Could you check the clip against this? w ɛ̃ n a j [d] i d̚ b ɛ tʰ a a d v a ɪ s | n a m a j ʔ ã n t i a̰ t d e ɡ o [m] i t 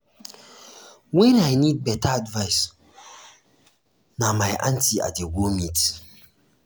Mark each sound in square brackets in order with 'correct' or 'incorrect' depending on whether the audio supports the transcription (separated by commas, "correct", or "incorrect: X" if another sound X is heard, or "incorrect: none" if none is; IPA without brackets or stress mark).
incorrect: n, correct